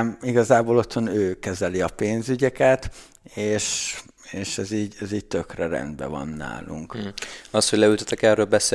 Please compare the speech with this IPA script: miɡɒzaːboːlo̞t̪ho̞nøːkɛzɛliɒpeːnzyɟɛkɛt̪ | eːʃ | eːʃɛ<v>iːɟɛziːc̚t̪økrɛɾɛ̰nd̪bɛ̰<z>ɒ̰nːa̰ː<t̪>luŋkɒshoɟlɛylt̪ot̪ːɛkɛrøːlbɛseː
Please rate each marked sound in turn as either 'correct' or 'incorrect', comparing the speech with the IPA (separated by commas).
incorrect, incorrect, incorrect